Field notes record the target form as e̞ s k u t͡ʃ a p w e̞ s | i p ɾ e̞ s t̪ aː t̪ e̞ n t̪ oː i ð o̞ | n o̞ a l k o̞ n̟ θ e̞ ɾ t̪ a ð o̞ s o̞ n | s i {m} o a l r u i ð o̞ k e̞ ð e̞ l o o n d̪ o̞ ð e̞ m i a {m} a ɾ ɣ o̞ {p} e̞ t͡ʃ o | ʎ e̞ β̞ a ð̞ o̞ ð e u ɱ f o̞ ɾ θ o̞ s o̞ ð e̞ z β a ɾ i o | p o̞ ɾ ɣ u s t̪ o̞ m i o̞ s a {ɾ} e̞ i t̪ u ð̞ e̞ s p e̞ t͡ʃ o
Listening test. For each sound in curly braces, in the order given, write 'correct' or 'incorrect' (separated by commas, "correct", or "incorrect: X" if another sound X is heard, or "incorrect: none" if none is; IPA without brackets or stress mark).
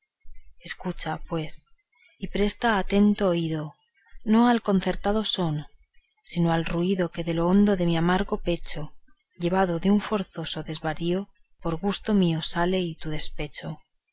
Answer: incorrect: n, correct, correct, incorrect: l